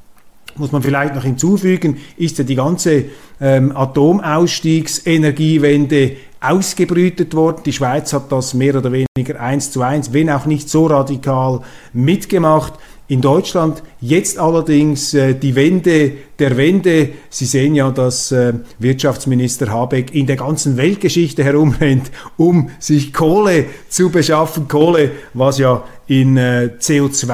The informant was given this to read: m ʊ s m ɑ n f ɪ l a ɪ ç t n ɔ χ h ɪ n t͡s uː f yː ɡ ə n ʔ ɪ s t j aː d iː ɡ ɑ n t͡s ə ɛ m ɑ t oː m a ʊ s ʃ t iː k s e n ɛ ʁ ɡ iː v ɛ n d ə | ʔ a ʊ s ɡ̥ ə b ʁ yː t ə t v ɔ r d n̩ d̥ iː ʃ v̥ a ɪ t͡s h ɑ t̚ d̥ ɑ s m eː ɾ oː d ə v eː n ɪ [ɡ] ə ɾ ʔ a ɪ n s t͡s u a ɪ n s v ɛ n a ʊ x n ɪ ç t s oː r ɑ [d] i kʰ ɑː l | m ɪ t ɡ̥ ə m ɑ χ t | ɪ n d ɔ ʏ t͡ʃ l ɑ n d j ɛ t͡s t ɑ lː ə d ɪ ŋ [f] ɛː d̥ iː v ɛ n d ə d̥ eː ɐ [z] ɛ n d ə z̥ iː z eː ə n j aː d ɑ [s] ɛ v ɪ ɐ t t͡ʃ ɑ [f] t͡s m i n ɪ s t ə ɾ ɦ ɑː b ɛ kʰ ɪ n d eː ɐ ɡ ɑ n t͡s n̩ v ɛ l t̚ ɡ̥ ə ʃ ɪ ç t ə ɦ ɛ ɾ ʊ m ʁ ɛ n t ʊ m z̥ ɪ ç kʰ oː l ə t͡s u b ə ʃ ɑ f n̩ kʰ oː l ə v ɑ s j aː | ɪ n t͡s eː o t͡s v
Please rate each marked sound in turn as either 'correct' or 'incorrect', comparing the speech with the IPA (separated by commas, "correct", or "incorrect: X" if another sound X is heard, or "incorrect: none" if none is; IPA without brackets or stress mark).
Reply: correct, correct, incorrect: s, incorrect: v, correct, correct